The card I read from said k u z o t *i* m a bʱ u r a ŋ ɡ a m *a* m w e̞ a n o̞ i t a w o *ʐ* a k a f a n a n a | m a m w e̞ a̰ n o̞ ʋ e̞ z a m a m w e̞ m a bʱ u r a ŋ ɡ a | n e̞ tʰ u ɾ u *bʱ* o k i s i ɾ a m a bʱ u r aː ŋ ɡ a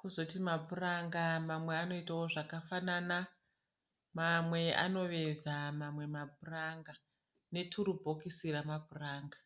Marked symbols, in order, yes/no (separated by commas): yes, yes, yes, yes